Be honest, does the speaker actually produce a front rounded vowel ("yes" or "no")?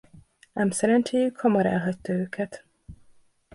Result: yes